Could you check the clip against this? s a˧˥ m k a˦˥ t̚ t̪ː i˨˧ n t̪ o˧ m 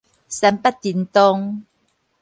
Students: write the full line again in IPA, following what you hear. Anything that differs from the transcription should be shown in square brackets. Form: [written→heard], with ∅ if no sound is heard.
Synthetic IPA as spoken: s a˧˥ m [k→p] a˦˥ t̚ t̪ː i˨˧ n t̪ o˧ [m→ŋ]